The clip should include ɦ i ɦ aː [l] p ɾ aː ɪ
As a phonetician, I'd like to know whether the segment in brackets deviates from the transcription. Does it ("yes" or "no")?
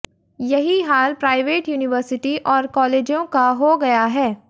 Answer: no